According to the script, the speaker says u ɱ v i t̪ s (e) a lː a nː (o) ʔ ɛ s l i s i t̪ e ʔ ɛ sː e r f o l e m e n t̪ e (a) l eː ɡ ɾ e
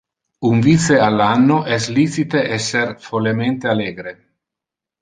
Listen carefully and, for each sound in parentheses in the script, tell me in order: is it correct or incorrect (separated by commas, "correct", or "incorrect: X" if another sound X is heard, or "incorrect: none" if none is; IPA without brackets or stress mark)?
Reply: correct, correct, correct